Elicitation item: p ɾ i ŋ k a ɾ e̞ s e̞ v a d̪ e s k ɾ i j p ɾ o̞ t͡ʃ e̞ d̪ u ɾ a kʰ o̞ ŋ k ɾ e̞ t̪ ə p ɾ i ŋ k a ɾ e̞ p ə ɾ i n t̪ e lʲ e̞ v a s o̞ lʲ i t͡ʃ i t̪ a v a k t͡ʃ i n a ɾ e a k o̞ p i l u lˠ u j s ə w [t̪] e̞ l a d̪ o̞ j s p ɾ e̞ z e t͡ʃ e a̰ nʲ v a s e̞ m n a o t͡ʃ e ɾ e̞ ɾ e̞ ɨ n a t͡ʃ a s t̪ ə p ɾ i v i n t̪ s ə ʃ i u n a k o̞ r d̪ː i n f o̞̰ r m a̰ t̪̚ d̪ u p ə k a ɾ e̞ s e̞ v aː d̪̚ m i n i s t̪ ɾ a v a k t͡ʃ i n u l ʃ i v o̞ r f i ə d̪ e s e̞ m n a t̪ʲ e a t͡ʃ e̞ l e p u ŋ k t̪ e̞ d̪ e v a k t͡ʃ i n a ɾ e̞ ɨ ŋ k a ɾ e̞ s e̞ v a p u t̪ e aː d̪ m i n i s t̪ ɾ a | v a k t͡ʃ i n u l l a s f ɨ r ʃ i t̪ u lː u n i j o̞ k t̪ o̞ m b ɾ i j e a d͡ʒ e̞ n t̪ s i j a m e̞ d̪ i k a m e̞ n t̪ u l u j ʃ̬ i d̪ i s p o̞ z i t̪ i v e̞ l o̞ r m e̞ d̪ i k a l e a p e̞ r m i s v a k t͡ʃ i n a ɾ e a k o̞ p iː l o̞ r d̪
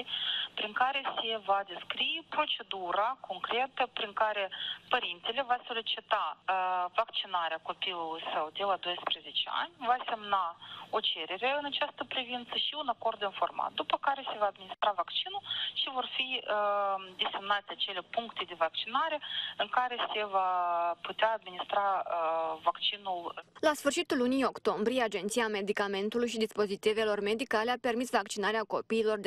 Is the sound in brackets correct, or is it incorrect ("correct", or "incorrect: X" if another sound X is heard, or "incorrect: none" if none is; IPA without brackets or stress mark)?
incorrect: d̪